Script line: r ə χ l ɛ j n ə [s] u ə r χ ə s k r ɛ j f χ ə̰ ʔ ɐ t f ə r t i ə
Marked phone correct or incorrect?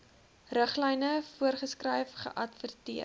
incorrect